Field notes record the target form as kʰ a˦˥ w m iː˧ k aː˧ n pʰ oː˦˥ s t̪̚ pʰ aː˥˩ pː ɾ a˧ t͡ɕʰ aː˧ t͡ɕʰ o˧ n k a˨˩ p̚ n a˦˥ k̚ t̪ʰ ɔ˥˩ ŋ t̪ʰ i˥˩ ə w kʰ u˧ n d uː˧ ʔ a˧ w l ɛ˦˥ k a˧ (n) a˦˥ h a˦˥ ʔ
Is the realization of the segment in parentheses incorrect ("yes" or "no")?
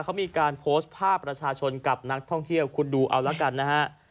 yes